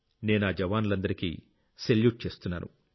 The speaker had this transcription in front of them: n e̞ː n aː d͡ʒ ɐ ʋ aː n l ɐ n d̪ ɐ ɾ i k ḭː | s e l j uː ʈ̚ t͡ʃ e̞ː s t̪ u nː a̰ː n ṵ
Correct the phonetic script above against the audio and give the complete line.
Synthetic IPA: n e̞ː n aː d͡ʒ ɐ ʋ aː n l ɐ n d̪ ɐ ɾ i k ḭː | s e l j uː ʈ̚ t͡ʃ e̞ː s t̪ u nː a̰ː n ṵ